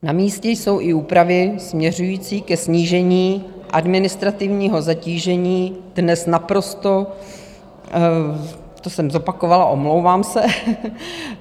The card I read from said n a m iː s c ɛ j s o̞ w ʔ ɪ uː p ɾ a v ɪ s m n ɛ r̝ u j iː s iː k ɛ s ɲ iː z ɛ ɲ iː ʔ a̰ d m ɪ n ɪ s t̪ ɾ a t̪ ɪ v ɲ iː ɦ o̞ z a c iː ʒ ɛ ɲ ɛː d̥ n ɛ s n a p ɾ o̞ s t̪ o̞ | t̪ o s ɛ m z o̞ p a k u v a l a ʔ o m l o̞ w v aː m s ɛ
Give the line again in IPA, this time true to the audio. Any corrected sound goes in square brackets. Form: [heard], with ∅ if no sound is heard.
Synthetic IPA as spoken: n a m iː s c ɛ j s o̞ w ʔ ɪ uː p ɾ a v ɪ s m [ɲ] ɛ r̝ u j iː [t͡s] iː k ɛ s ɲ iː [ʒ] ɛ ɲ iː ʔ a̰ d m ɪ n ɪ s t̪ ɾ a t̪ ɪ v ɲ iː ɦ o̞ z a c iː ʒ ɛ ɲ [iː] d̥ n ɛ s n a p ɾ o̞ s t̪ o̞ | t̪ o s ɛ m z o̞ p a k [o] v a l a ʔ o m l o̞ w v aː m s ɛ